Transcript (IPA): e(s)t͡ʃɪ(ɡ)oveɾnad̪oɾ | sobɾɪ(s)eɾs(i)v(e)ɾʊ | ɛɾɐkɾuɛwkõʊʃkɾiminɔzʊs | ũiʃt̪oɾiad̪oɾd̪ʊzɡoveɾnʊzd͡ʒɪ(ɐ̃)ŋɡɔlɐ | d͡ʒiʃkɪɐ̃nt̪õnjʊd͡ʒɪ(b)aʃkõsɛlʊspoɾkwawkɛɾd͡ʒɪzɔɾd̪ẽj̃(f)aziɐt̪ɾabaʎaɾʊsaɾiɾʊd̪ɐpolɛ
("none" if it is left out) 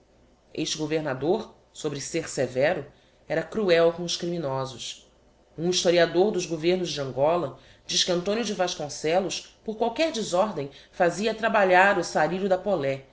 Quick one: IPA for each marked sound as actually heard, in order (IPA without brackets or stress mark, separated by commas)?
ʃ, ɡ, s, e, ɛ, ɐ̃, v, f